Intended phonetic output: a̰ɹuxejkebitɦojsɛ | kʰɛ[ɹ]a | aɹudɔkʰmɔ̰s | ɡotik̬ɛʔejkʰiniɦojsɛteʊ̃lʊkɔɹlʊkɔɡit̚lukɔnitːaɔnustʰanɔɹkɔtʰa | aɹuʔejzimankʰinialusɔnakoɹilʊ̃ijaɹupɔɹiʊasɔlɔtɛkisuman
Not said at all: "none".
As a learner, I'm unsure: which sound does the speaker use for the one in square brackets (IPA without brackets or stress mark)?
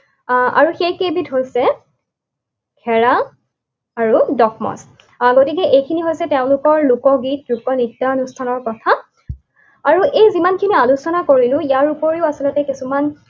ɹ